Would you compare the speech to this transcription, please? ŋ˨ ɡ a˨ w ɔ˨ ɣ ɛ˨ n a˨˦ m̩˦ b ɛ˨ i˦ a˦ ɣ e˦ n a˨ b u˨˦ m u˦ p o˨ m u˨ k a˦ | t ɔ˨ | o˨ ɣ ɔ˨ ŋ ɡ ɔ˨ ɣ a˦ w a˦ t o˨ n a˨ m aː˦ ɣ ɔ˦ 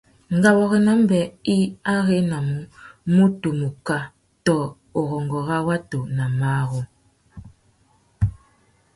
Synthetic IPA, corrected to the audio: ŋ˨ ɡ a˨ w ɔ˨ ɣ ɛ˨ n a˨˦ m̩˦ b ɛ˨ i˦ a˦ ɣ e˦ n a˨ m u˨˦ m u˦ t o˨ m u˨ k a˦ | t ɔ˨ | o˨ ɣ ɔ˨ ŋ ɡ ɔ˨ ɣ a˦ w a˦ t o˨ n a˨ m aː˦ ɣ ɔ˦